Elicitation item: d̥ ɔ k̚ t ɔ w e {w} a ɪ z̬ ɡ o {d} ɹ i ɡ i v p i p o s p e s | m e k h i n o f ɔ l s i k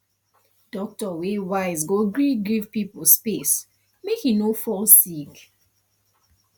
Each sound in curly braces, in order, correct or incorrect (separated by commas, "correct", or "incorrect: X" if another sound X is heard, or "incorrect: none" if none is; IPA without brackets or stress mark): correct, incorrect: ɡ